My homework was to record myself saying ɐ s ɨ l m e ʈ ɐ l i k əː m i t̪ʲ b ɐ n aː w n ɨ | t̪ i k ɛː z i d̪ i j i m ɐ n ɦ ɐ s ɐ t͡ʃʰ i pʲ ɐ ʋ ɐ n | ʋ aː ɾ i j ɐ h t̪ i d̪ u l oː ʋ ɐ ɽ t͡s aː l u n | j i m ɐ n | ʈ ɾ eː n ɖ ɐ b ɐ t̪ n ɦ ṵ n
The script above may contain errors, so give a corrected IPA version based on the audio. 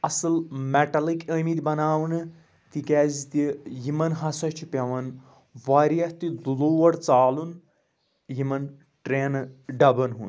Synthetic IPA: ɐ s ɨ l m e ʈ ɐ l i k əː m i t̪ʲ b ɐ n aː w n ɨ | t̪ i k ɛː z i t̪ i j i m ɐ n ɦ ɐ s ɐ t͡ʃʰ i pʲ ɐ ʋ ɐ n | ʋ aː ɾ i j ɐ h t̪ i d̪ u l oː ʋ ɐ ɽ t͡s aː l u n | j i m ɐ n | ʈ ɾ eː n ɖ ɐ b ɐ n ɦ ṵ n